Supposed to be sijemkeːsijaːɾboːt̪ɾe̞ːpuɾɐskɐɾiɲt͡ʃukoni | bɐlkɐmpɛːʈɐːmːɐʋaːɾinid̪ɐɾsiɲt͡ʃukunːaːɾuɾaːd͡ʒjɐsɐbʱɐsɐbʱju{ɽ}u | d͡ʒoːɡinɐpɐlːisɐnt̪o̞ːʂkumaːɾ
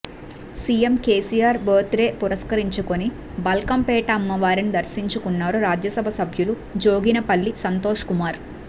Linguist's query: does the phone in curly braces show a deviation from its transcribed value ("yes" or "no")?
yes